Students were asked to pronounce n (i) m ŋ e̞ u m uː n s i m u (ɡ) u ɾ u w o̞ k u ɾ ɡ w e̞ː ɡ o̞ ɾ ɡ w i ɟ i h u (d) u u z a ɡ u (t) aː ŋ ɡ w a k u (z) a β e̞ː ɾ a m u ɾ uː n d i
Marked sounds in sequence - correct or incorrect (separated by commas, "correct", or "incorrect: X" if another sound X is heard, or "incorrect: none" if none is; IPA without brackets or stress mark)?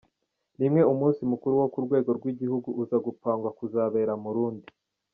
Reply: correct, incorrect: k, incorrect: ɡ, incorrect: p, correct